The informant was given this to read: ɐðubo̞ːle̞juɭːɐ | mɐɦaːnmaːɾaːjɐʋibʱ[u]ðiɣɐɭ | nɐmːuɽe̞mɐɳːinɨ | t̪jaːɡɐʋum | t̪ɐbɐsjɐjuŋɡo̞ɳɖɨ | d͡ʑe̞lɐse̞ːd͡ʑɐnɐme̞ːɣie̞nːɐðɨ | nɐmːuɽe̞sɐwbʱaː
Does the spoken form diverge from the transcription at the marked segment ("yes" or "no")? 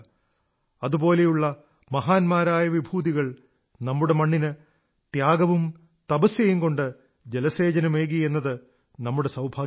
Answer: yes